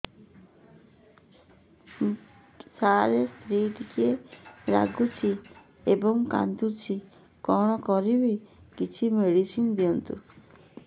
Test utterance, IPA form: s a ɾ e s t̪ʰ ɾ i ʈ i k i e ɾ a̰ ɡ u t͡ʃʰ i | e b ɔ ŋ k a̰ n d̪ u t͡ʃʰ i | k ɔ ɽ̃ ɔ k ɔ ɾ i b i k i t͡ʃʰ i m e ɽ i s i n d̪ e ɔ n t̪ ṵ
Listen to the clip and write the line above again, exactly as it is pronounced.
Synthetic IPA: s a ɾ e s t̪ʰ ɾ i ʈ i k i e ɾ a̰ ɡ u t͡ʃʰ i | e b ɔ ŋ k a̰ n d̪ u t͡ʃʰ i | k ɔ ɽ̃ ɔ k ɔ ɾ i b i k i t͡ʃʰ i m e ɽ i s i n d̪ i ɔ n t̪ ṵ